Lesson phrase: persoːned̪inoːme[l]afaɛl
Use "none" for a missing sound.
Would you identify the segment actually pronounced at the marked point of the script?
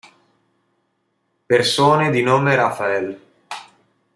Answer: ɾ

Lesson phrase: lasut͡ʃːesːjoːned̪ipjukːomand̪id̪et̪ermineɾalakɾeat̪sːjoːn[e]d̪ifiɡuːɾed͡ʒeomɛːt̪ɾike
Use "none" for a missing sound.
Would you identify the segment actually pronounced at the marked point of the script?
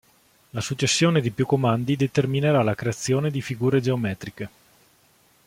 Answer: e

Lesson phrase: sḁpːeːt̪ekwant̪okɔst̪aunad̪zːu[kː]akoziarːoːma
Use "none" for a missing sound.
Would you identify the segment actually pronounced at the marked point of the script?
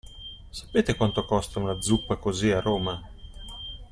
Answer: pː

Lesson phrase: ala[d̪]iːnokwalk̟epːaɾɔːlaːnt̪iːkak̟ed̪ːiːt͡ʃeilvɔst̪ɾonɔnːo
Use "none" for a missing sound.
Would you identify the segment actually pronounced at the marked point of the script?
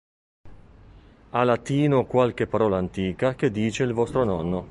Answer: t̪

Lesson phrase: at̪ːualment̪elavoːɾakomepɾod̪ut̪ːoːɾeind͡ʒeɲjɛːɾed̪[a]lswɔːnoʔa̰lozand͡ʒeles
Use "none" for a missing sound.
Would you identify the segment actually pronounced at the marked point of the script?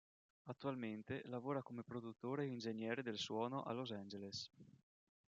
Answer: e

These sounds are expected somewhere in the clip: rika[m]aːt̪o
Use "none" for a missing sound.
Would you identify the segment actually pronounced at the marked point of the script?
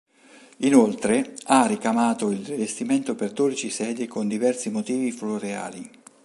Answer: m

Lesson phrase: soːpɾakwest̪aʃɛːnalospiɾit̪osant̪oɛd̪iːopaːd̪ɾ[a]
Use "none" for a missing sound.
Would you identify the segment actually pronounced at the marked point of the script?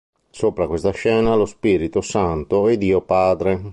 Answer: e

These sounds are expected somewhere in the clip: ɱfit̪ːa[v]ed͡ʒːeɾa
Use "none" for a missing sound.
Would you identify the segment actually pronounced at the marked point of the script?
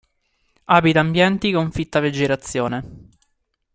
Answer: v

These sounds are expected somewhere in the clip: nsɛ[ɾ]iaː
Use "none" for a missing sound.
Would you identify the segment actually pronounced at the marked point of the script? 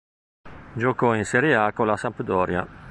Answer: ɾ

